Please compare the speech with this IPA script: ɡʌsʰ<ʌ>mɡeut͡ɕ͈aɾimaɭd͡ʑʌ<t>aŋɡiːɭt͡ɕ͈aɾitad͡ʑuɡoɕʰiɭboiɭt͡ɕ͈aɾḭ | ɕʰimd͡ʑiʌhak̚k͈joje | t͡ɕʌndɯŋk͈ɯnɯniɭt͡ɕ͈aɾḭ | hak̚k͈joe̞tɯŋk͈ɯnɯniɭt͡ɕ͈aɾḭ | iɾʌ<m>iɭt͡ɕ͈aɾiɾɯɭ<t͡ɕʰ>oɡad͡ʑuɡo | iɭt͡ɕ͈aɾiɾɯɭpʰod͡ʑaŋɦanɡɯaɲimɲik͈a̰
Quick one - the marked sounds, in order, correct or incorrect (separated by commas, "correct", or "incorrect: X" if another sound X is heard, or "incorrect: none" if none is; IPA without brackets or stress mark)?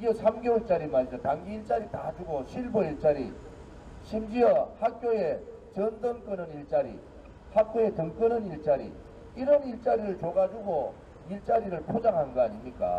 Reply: incorrect: a, correct, incorrect: n, incorrect: t͡ɕ